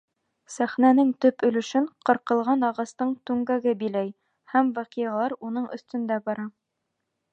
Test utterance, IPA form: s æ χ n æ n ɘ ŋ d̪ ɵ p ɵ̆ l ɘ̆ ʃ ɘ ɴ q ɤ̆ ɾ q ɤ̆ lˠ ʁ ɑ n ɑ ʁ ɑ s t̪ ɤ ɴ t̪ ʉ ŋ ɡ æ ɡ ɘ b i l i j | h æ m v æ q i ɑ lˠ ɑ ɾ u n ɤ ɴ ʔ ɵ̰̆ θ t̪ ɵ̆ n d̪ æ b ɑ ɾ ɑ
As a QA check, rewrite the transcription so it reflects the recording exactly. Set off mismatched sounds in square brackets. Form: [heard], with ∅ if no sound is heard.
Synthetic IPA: s æ χ n æ n ɘ ŋ [t̪] ɵ p ɵ̆ l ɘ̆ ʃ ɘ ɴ q ɤ̆ ɾ q ɤ̆ lˠ ʁ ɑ n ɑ ʁ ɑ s t̪ ɤ ɴ t̪ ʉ ŋ ɡ æ ɡ ɘ b i l [æ] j | h æ m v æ q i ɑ lˠ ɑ ɾ u n ɤ ɴ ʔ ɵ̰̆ θ t̪ ɵ̆ n d̪ æ b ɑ ɾ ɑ